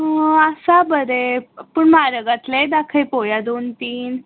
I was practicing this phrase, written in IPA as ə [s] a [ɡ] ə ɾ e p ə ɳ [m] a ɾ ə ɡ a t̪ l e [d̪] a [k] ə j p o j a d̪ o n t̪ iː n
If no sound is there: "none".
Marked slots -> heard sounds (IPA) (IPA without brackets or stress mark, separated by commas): s, b, m, d̪, kʰ